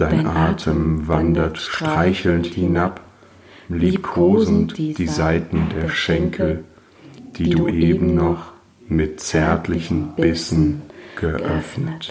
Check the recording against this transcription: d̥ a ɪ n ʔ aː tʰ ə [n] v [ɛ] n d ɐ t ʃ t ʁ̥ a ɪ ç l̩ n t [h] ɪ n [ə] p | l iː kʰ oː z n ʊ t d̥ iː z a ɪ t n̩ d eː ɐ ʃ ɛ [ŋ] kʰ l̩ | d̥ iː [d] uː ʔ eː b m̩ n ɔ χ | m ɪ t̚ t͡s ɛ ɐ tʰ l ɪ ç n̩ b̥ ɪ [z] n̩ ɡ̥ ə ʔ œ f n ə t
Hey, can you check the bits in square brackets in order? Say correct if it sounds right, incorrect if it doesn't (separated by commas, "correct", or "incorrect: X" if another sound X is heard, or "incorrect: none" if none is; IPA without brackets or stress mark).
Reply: incorrect: m, incorrect: a, correct, incorrect: a, correct, correct, incorrect: s